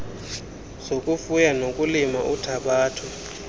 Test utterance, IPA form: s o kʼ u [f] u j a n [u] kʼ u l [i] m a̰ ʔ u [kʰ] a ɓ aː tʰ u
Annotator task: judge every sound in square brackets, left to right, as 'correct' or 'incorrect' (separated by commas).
correct, incorrect, correct, incorrect